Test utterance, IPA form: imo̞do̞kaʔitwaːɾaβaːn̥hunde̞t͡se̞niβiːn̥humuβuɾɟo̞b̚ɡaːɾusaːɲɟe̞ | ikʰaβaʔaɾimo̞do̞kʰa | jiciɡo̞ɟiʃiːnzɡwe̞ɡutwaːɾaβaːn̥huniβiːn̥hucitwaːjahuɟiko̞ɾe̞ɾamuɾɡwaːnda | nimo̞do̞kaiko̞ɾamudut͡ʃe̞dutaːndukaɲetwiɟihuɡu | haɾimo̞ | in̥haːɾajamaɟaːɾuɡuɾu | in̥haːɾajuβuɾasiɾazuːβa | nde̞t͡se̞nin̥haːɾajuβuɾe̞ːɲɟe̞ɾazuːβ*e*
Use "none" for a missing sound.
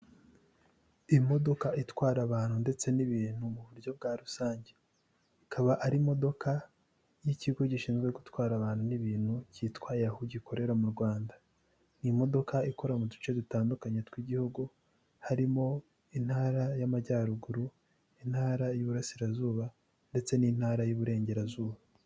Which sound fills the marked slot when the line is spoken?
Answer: a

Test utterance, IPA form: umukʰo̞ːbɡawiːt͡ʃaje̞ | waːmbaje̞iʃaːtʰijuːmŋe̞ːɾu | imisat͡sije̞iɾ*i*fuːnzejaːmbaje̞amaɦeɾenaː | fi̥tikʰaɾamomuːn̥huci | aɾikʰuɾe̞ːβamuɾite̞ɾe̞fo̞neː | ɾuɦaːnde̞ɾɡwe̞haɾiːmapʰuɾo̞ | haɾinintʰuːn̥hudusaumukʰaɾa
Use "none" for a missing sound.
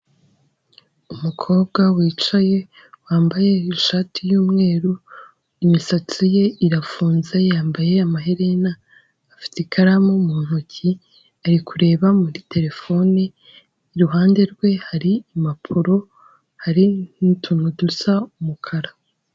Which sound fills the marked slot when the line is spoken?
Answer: a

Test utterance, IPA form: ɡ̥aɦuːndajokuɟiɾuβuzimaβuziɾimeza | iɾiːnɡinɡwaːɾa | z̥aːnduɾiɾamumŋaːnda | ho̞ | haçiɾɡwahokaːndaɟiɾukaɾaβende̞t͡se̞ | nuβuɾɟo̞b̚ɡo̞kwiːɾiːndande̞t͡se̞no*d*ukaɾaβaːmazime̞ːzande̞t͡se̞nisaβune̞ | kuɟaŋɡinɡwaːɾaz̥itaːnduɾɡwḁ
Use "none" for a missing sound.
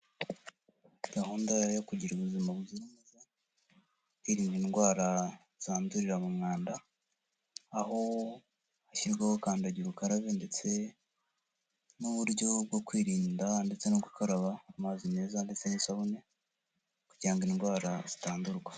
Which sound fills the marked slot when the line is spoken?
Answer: ɡ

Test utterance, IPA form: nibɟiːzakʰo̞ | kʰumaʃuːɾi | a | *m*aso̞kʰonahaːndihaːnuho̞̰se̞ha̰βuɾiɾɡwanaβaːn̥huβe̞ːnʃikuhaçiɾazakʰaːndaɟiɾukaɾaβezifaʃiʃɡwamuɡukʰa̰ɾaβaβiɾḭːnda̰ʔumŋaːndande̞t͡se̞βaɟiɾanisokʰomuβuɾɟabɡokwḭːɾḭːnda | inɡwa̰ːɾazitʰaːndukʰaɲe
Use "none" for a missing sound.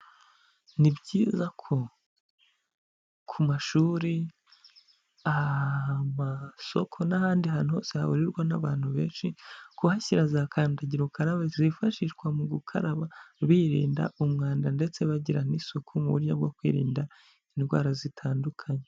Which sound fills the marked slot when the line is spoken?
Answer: m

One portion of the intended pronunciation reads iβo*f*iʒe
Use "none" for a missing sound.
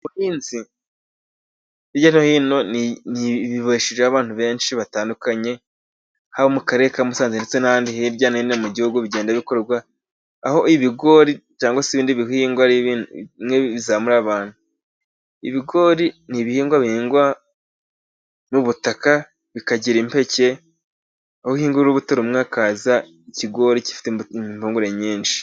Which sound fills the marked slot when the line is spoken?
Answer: ʃ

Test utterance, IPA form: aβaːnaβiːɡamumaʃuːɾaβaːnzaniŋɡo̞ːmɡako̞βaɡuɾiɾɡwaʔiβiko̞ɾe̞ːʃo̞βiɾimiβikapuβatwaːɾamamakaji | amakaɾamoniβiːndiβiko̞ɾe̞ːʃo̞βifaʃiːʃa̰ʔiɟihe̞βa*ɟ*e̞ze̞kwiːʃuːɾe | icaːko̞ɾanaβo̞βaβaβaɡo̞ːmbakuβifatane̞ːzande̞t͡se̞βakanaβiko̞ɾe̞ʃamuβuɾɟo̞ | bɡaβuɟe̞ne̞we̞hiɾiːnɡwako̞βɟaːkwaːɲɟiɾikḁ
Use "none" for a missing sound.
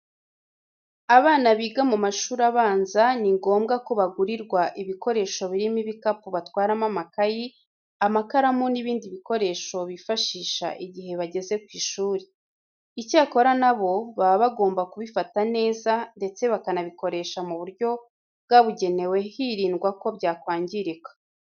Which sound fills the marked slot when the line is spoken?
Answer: ɟ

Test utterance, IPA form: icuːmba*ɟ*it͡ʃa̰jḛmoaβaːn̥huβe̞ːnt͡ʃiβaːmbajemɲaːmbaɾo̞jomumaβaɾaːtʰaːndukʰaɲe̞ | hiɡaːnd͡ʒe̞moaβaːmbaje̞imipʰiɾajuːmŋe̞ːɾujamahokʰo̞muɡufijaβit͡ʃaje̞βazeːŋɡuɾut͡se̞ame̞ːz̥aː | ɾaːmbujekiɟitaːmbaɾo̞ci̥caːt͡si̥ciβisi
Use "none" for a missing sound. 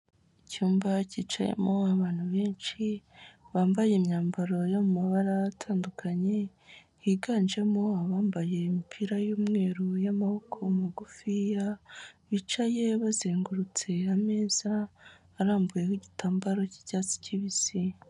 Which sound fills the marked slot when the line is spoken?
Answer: c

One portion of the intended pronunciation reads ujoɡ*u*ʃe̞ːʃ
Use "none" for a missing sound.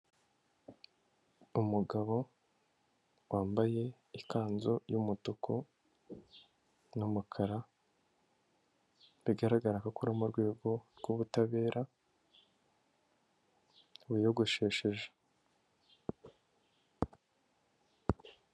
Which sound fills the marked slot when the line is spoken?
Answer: o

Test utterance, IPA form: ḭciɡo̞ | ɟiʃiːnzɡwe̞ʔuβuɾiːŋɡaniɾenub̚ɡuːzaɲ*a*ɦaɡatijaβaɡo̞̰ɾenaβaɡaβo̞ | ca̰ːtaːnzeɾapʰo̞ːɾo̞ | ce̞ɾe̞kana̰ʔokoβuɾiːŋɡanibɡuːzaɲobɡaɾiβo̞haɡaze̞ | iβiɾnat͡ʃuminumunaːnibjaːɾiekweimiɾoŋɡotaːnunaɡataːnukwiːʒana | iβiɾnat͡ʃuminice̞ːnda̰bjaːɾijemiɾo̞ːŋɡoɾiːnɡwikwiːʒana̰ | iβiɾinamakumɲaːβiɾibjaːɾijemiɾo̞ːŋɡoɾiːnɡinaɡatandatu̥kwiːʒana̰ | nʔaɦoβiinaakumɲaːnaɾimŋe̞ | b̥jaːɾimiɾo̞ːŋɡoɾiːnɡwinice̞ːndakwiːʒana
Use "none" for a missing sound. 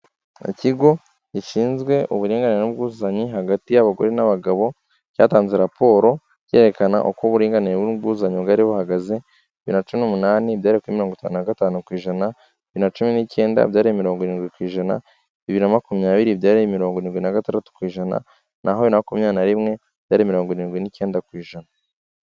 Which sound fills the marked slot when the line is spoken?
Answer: i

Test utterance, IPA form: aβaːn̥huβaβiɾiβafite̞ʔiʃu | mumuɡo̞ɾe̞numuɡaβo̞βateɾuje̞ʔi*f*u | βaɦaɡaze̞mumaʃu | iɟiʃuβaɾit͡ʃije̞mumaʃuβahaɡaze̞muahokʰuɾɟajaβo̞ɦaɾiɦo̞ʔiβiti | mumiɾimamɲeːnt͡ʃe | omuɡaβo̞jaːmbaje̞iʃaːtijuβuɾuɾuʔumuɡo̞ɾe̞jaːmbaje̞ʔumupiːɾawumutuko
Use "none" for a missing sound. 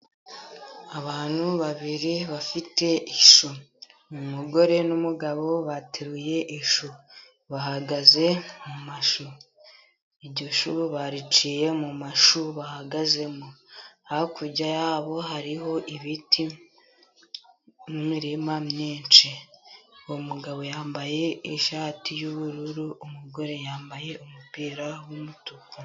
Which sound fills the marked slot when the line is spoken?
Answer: ʃ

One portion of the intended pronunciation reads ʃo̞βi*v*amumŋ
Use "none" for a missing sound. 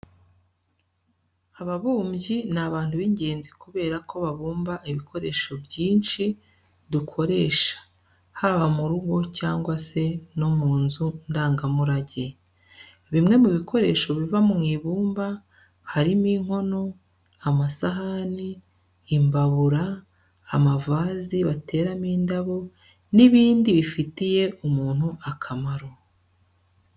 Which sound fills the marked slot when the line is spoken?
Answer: v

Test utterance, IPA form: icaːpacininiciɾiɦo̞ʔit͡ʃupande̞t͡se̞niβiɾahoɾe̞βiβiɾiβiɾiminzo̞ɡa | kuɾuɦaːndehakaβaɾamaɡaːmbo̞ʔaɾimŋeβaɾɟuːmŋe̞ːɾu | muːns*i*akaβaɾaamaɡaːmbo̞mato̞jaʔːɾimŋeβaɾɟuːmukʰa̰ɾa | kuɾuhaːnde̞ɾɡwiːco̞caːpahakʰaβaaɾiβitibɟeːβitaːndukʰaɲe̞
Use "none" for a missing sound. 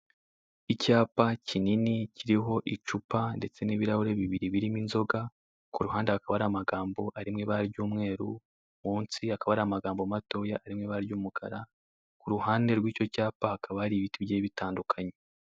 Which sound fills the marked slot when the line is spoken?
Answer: i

